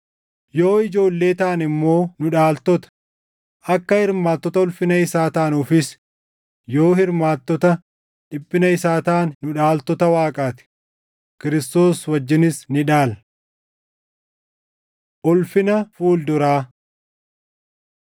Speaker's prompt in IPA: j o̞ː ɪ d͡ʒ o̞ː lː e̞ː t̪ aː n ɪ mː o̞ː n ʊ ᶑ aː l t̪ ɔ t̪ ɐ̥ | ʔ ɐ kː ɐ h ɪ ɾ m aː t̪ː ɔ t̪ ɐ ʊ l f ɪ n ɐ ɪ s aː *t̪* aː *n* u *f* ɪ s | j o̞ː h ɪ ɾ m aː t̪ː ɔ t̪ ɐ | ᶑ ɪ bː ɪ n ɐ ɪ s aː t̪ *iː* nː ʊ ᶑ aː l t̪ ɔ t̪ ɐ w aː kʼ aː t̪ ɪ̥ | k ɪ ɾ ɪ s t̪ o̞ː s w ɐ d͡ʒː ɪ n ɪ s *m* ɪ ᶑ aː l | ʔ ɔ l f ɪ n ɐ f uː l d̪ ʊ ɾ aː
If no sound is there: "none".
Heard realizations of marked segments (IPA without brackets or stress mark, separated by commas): t̪, n, f, aː, n